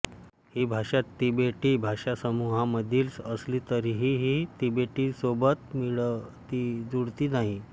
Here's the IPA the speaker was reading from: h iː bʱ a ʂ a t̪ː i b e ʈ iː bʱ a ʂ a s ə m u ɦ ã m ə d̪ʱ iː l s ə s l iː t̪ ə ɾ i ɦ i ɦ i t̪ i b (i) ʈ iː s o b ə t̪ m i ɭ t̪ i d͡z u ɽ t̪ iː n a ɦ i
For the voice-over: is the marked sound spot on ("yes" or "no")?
no